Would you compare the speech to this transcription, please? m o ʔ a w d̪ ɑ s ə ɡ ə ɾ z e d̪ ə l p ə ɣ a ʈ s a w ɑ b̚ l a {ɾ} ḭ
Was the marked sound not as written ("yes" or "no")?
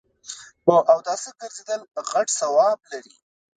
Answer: no